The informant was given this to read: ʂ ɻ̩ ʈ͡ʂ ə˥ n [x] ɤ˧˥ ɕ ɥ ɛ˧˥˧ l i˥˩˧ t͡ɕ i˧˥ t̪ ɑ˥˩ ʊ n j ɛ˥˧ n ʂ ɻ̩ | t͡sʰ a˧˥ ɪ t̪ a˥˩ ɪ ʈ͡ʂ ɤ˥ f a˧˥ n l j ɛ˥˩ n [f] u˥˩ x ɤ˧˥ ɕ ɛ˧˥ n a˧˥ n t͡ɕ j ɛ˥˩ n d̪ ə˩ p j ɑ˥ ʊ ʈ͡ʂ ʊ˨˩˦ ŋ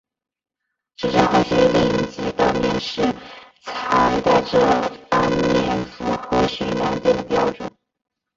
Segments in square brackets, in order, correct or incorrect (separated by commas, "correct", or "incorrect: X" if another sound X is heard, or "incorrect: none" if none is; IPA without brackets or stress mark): correct, correct